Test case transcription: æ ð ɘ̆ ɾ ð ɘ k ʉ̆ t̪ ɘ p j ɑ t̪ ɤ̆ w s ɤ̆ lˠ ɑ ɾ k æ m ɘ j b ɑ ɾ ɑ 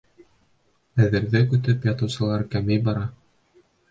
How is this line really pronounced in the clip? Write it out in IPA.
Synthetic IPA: æ ð ɘ̆ ɾ ð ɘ k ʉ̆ t̪ ɘ p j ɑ t̪ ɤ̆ w s ɤ̆ lˠ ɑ ɾ k æ m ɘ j b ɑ ɾ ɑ